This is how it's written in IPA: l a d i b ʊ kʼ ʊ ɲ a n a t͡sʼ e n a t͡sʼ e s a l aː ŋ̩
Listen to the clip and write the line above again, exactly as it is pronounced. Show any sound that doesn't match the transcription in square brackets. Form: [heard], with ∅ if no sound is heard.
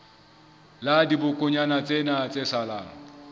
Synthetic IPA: l a d i b ʊ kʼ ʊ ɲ a n a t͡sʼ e n a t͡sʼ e s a l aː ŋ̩